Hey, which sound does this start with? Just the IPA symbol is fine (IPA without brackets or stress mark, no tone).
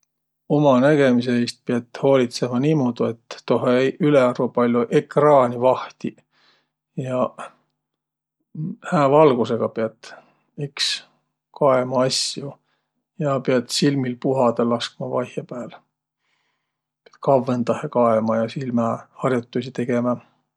o̞